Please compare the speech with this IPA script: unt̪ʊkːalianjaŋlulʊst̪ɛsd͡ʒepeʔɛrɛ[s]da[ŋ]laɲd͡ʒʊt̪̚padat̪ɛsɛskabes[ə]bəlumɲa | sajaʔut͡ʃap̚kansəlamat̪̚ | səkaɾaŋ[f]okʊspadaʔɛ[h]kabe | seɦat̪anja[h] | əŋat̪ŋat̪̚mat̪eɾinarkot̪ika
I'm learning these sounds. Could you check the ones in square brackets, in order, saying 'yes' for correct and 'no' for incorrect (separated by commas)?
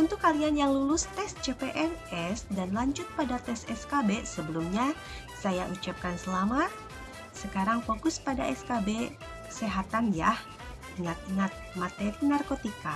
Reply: yes, no, yes, yes, no, yes